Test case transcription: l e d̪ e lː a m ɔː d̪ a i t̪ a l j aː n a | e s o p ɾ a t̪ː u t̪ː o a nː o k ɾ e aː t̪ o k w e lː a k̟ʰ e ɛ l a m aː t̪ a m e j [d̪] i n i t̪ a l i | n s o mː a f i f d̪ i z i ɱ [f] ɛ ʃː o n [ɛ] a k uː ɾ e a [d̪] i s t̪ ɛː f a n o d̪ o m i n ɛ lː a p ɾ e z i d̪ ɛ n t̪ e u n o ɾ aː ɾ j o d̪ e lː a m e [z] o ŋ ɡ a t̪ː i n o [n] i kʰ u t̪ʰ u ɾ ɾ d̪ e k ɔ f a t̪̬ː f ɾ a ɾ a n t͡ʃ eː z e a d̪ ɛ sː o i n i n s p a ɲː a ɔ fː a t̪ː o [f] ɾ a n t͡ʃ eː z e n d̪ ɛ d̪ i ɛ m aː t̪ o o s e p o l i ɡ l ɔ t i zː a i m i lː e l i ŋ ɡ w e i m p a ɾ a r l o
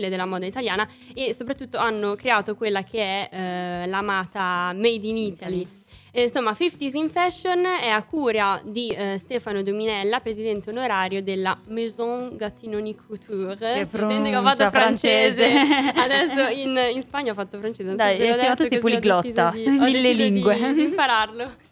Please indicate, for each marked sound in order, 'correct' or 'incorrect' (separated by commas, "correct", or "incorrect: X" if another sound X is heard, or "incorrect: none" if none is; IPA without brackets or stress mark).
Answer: correct, correct, correct, correct, correct, correct, correct